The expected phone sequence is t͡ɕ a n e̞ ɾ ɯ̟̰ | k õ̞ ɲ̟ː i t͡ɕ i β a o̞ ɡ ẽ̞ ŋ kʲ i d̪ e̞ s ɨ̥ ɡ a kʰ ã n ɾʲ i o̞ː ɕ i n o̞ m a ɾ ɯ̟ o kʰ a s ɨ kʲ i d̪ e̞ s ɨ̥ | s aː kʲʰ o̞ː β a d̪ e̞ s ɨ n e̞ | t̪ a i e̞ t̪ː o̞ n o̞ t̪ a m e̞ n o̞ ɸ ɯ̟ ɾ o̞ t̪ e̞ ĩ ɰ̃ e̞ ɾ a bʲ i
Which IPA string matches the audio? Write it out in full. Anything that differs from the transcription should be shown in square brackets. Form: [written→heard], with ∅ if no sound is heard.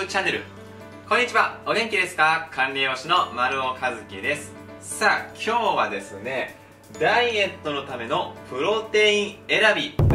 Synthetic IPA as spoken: t͡ɕ a n e̞ ɾ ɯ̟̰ | k õ̞ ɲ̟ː i t͡ɕ i β a o̞ ɡ ẽ̞ ŋ kʲ i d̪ e̞ s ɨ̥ [ɡ→k] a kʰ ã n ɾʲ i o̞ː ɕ i n o̞ m a ɾ ɯ̟ o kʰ a [s→z] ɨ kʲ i d̪ e̞ s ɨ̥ | s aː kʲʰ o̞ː β a d̪ e̞ s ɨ n e̞ | [t̪→d̪] a i e̞ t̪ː o̞ n o̞ t̪ a m e̞ n o̞ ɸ ɯ̟ ɾ o̞ t̪ e̞ ĩ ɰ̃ e̞ ɾ a bʲ i